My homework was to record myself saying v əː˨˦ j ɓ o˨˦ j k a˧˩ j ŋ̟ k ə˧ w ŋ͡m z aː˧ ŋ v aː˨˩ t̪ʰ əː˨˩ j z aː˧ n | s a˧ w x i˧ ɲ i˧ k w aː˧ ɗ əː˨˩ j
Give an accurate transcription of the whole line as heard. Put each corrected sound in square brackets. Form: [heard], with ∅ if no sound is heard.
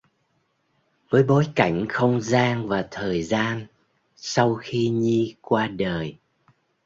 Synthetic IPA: v əː˨˦ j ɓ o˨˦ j k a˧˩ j ŋ̟ [x] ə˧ w ŋ͡m z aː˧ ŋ v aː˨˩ t̪ʰ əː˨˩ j z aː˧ n | s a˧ w x i˧ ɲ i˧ k w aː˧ ɗ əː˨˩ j